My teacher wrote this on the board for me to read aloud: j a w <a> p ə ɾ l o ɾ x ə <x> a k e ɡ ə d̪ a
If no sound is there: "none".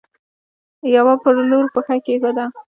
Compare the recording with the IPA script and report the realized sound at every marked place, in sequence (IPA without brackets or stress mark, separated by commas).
a, x